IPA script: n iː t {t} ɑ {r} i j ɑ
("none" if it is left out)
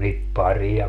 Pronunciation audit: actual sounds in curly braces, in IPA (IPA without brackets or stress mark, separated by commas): p, r